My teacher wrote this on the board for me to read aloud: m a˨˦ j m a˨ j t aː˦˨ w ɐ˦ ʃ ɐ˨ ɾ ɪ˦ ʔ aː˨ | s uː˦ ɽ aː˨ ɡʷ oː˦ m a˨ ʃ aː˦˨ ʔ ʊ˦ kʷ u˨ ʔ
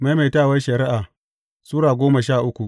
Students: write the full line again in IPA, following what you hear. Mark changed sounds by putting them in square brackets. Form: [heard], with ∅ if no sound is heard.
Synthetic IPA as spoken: m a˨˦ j m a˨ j t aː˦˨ w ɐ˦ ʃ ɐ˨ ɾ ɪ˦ ʔ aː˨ | s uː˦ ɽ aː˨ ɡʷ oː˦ m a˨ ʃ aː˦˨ ʔ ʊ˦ kʷ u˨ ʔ